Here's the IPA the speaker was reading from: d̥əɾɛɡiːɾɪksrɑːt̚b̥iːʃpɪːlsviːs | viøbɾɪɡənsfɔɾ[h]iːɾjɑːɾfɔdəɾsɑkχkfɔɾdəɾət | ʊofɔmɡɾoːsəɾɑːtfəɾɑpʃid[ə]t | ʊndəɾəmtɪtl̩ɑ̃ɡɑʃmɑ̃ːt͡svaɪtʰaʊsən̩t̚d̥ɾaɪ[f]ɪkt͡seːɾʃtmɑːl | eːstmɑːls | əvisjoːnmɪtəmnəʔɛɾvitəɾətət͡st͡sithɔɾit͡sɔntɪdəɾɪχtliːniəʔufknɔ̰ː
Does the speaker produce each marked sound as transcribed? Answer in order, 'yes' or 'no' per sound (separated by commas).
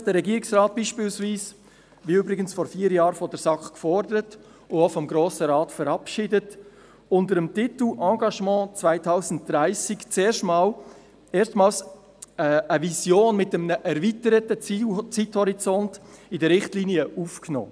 no, yes, no